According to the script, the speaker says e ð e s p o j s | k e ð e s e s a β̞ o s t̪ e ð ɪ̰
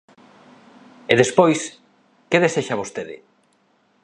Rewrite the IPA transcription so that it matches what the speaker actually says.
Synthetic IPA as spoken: e ð e s p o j s | k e ð e s e ʃ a β̞ o s t̪ e ð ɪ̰